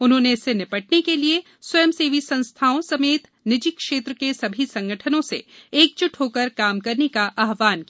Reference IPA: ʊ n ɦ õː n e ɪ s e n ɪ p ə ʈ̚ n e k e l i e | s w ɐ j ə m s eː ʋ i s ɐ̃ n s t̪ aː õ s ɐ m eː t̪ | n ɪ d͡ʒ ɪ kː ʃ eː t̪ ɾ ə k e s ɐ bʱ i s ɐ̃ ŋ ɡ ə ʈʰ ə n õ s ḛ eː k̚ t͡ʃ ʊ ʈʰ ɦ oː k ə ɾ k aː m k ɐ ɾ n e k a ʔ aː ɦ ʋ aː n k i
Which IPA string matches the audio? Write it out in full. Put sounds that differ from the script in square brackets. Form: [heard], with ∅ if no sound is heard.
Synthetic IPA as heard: ʊ n ɦ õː n e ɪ s e n ɪ p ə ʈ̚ n e k e l i e | s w ɐ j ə m s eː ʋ i s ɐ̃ n s [t̪ʰ] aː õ s ɐ m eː t̪ | n ɪ d͡ʒ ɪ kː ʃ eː t̪ ɾ ə k e s ɐ bʱ i s ɐ̃ ŋ ɡ ə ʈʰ ə n õ s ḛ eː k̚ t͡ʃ ʊ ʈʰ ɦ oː k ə ɾ k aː m k ɐ ɾ n e k a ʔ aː ɦ ʋ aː n k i

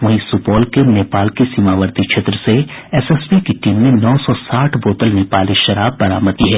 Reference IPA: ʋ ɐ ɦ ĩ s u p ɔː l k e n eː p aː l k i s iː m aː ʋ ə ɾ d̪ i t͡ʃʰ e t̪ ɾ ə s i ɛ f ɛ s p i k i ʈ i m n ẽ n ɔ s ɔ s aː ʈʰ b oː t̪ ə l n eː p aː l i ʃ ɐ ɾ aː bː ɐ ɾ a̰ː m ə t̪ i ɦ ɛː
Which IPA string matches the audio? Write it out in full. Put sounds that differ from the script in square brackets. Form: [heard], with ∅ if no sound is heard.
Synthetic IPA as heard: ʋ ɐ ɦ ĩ s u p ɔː l k e n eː p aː l k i s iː m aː ʋ ə ɾ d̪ i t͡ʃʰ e t̪ ɾ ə s [e] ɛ [s] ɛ s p i k i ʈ [iː] m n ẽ n [ɔː] s ɔ s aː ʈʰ b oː t̪ ə l n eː p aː l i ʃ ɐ ɾ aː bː ɐ ɾ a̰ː m ə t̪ i ɦ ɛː

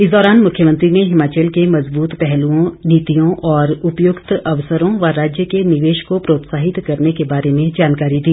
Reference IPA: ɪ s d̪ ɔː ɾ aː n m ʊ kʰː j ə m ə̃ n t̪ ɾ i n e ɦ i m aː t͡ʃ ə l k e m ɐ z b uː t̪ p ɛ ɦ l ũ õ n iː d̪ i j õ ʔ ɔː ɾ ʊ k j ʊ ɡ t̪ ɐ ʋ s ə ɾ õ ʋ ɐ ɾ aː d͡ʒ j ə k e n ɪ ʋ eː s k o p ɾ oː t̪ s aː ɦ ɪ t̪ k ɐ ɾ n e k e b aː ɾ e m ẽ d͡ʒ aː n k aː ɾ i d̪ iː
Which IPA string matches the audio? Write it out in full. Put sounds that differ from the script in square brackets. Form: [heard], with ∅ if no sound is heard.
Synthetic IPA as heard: ɪ s d̪ ɔː ɾ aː n m ʊ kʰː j ə m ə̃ n t̪ ɾ i n e ɦ [ɪ] m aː t͡ʃ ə l k e m ɐ z b uː t̪ p ɛ ɦ l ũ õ n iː [t̪] i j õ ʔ ɔː ɾ ʊ [p] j ʊ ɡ t̪ ɐ ʋ s ə ɾ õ ʋ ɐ ɾ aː d͡ʒ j ə k e n ɪ ʋ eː [ʃ] k o p ɾ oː t̪ s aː ɦ ɪ t̪ k ɐ ɾ n e k e b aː ɾ e m ẽ d͡ʒ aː n k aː ɾ i d̪ iː

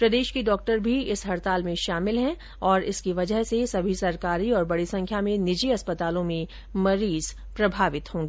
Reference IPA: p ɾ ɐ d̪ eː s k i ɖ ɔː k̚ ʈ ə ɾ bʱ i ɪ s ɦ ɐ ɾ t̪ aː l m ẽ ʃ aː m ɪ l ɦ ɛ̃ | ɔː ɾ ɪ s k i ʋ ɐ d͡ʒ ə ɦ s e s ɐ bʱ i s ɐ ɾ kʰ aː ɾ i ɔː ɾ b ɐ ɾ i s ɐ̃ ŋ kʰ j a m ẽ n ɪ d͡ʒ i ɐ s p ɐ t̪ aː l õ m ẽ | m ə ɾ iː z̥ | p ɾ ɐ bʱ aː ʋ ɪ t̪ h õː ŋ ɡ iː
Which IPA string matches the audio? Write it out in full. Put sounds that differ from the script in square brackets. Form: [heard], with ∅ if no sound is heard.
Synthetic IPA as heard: p ɾ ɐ d̪ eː [ʃ] k i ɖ ɔː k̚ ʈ ə ɾ bʱ i ɪ s ɦ ɐ ɾ t̪ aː l m ẽ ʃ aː m ɪ l ɦ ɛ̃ | ɔː ɾ ɪ s k i ʋ ɐ d͡ʒ ə ɦ s e s ɐ bʱ i s ɐ ɾ [k] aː ɾ i ɔː ɾ b ɐ [ɽ] i s ɐ̃ ŋ kʰ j a m ẽ n ɪ d͡ʒ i ɐ s p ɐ t̪ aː l õ m ẽ | m [ɐ] ɾ iː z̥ | p ɾ ɐ bʱ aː ʋ ɪ t̪ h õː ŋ ɡ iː

